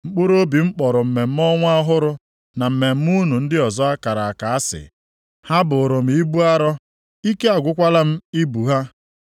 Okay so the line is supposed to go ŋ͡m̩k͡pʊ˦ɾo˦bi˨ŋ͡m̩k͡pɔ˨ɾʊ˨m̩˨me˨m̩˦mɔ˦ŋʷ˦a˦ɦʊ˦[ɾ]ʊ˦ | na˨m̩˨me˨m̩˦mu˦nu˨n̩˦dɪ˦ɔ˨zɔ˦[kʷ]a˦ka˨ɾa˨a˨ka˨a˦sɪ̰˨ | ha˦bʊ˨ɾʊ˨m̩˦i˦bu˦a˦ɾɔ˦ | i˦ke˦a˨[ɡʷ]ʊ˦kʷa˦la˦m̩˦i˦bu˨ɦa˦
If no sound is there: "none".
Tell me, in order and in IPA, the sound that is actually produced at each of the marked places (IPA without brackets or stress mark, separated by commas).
ɾ, none, ɡʷ